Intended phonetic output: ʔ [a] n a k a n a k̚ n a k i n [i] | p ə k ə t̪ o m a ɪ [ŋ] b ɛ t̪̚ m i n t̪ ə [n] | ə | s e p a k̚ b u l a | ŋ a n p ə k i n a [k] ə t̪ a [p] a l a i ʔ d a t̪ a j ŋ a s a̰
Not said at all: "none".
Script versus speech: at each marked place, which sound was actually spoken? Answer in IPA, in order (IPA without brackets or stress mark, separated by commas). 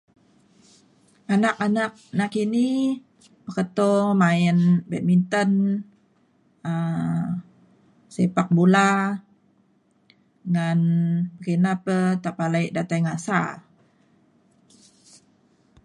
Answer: a, i, n, n, p, p